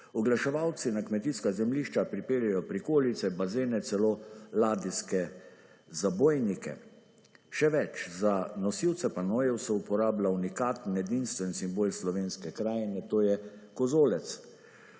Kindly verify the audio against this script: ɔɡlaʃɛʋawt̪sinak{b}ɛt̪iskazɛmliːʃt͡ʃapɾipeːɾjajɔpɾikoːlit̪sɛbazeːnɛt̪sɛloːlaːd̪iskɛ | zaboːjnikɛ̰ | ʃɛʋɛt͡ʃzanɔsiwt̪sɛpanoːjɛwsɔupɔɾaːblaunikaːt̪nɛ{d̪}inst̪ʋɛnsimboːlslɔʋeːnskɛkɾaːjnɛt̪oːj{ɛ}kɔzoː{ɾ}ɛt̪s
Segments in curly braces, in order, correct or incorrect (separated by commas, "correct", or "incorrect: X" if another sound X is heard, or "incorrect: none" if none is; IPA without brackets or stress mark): incorrect: m, correct, correct, incorrect: l